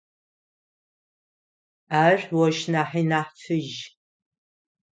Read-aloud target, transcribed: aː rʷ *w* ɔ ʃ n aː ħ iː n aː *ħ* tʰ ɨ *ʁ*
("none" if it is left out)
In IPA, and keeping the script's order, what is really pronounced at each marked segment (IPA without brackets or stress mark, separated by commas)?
w, ħ, ʒ